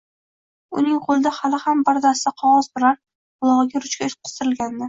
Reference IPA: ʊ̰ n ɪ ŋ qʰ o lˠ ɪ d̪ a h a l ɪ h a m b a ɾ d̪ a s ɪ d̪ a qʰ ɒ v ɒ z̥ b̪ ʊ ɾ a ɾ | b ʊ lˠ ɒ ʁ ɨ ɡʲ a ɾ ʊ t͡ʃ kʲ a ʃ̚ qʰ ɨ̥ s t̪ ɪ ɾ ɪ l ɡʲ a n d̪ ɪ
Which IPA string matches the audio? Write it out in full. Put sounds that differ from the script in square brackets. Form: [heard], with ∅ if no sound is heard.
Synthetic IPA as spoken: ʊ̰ n ɪ ŋ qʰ o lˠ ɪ d̪ a h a l ɪ h a m b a ɾ d̪ a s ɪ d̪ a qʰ ɒ [ʁ] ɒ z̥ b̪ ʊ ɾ a ɾ | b ʊ lˠ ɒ ʁ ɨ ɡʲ a ɾ ʊ t͡ʃ kʲ a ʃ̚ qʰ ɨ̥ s t̪ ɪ ɾ ɪ l ɡʲ a n d̪ ɪ